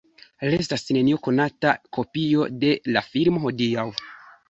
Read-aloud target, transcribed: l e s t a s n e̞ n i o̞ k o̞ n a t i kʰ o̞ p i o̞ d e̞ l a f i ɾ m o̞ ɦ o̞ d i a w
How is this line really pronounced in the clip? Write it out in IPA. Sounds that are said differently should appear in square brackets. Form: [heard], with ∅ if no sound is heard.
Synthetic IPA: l e s t a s n e̞ n i o̞ k o̞ n a t [a] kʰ o̞ p i o̞ d e̞ l a f i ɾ m o̞ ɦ o̞ d i a w